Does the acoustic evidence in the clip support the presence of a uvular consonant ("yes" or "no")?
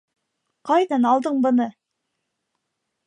yes